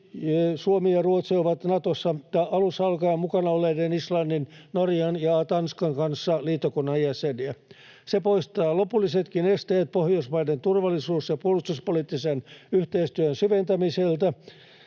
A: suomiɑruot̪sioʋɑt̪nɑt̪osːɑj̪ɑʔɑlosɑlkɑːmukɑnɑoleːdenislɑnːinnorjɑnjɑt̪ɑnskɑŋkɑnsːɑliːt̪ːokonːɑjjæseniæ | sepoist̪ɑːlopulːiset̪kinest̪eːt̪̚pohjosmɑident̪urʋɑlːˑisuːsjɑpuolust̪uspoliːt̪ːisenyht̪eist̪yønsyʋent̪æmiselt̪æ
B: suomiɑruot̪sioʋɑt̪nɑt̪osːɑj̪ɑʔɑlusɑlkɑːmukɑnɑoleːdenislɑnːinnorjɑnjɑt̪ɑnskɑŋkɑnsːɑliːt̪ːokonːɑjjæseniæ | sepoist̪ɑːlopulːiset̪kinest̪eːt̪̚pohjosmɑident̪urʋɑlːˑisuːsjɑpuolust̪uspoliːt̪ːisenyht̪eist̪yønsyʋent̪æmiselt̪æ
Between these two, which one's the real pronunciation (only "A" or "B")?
B